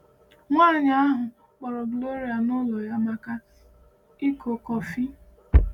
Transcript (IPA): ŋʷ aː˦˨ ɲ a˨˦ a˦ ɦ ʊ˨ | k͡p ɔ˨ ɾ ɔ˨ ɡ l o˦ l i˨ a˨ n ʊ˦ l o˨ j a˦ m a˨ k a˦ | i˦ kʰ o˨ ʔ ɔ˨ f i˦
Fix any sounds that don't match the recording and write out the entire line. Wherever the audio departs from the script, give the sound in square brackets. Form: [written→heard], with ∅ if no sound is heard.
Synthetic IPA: ŋʷ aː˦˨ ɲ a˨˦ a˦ ɦ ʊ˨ | k͡p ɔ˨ ɾ ɔ˨ ɡ l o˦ [l→ɾ] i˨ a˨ n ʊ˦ l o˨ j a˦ m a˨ k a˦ | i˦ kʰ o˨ [ʔ→k] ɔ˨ f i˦